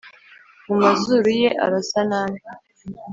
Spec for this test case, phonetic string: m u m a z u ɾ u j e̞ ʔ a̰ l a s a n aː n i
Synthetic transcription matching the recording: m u m a z u ɾ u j e̞ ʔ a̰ ɾ a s a n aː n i